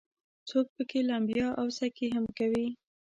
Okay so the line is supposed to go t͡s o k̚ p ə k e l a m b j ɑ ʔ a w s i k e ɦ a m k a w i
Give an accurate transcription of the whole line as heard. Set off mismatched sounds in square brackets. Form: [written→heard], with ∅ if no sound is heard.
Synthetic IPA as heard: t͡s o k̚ p ə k e l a m b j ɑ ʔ a w s [i→a] k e ɦ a m k a w i